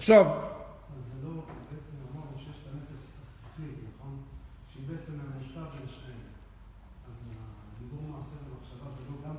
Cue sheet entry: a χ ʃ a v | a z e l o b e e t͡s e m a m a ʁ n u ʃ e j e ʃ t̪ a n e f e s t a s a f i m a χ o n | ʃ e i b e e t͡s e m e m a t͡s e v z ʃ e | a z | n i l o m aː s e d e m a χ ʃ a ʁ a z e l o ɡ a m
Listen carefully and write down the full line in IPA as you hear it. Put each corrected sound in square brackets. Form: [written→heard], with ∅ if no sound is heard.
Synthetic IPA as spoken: a χ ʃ a v | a z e l o b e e t͡s e m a m a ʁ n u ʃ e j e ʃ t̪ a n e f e s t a s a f i [m→n] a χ o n | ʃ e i b e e t͡s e m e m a t͡s [e→a] v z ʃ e | a z | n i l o m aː s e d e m a χ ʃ a [ʁ→v] a z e l o ɡ a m